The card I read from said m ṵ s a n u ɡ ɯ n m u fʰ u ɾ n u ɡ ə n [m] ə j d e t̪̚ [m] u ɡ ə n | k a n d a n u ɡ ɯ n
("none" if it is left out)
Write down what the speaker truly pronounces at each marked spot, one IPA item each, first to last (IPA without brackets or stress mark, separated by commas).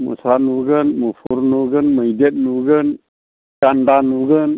m, n